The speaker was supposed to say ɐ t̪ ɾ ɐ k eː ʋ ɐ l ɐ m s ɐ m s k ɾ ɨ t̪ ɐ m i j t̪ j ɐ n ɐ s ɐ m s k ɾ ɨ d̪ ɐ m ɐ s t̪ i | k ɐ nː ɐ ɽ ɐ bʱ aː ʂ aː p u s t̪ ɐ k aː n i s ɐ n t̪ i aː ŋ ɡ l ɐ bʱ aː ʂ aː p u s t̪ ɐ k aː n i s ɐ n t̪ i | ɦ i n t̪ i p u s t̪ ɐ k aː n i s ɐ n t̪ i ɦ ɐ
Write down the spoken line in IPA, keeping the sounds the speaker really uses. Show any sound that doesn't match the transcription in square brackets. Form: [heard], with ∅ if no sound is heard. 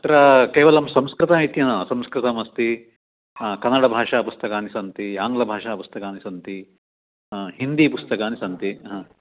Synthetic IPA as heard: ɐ t̪ ɾ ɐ k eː ʋ ɐ l ɐ m s ɐ m s k ɾ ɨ t̪ ɐ m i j t̪ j ɐ n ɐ s ɐ m s k ɾ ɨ [t̪] ɐ m ɐ s t̪ i | k ɐ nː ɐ ɽ ɐ bʱ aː ʂ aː p u s t̪ ɐ k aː n i s ɐ n t̪ i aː ŋ ɡ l ɐ bʱ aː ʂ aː p u s t̪ ɐ k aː n i s ɐ n t̪ i | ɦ i n [d̪] i p u s t̪ ɐ k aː n i s ɐ n t̪ i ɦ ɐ